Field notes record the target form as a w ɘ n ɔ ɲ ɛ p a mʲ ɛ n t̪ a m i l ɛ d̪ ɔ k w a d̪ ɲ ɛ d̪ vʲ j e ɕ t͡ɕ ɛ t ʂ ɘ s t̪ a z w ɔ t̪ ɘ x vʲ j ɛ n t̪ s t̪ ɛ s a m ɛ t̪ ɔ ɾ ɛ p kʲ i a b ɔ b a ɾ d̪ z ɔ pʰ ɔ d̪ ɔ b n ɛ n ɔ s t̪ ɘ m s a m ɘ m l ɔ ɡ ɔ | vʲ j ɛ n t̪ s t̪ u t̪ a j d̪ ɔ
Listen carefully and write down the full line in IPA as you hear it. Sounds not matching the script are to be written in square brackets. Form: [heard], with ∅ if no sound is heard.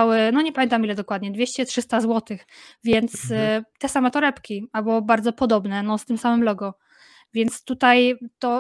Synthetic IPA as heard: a w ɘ n ɔ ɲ ɛ p a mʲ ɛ n t̪ a m i l ɛ d̪ ɔ k w a d̪ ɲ ɛ d̪ vʲ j e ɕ t͡ɕ ɛ t ʂ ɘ s t̪ a z w ɔ t̪ ɘ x vʲ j ɛ n t̪ s t̪ ɛ s a m ɛ t̪ ɔ ɾ ɛ p kʲ i a b ɔ b a ɾ d̪ z ɔ [p] ɔ d̪ ɔ b n ɛ n ɔ s t̪ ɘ m s a m ɘ m l ɔ ɡ ɔ | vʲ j ɛ n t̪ s t̪ u t̪ a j [t̪] ɔ